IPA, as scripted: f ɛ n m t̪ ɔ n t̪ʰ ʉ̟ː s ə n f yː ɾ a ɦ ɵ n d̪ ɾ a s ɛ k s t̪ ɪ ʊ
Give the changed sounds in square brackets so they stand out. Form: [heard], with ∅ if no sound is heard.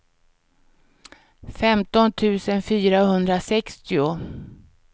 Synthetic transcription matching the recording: f ɛ [∅] m t̪ ɔ n t̪ʰ ʉ̟ː s ə n f yː ɾ a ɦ ɵ n d̪ ɾ a s ɛ k s t̪ ɪ ʊ